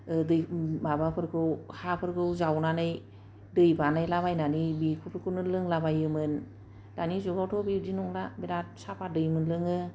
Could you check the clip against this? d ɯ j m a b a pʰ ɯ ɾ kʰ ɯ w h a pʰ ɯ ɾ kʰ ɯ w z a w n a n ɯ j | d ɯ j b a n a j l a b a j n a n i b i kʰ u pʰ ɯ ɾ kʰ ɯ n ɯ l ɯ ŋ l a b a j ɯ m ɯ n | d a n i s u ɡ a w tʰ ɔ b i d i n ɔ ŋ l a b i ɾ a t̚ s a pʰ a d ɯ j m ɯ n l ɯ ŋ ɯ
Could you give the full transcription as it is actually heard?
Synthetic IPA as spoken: d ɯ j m a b a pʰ ɯ ɾ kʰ ɯ w h a pʰ ɯ ɾ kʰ ɯ w z a w n a n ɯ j | d ɯ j b a n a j l a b a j n a n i b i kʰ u pʰ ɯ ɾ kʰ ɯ n ɯ l ɯ ŋ l a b a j ɯ m ɯ n | d a n i z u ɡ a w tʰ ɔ b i d i n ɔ ŋ l a b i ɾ a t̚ s a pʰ a d ɯ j m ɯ n l ɯ ŋ ɯ